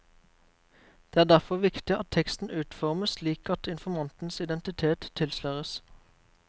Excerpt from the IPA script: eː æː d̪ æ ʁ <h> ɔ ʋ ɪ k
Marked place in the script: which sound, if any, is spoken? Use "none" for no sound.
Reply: f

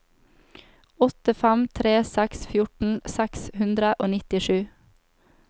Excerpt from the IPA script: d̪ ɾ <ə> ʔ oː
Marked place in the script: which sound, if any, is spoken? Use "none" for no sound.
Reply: ə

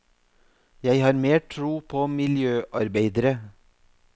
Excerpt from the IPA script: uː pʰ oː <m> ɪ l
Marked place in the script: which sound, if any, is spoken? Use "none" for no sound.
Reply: m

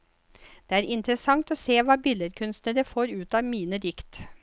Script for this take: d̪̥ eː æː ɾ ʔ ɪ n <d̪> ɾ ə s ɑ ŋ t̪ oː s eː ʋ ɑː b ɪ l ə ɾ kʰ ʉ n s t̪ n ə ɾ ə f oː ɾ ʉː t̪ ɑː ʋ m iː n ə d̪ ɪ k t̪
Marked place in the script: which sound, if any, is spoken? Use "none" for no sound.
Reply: t̪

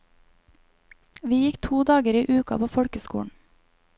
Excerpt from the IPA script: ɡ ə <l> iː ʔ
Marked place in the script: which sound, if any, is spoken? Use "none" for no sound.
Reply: ɾ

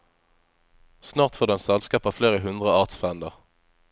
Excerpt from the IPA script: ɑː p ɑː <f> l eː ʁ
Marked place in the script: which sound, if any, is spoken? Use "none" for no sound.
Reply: f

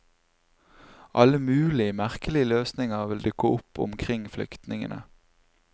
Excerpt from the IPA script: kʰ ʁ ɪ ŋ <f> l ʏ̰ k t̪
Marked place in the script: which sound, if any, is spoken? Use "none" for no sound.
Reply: f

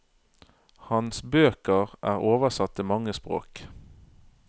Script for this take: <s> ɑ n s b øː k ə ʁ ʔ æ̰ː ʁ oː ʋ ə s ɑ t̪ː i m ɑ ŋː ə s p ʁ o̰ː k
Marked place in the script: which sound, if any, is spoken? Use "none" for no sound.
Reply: h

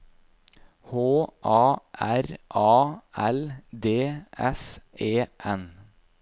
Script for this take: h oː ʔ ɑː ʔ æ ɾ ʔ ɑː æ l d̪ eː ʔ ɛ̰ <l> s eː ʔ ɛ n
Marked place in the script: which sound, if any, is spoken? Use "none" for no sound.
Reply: none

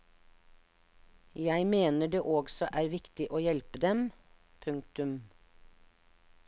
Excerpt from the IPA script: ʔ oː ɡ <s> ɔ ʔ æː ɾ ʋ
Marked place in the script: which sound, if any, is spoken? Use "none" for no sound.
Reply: s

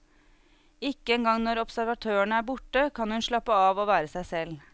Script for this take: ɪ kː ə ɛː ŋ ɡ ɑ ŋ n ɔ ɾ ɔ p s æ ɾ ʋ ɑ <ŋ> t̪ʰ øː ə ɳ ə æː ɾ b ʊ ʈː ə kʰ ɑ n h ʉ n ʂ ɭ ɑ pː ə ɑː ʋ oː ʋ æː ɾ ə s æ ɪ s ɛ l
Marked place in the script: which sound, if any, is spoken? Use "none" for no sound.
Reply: none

